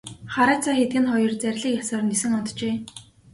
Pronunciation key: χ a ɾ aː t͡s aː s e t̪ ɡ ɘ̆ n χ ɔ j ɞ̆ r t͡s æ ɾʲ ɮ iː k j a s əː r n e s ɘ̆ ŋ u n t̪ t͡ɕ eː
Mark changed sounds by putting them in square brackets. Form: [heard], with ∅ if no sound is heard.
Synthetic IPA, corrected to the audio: χ a ɾ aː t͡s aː [x] e t̪ ɡ ɘ̆ n χ ɔ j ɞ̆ r t͡s æ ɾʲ ɮ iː k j a s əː r n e s ɘ̆ ŋ [ɔ] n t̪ t͡ɕ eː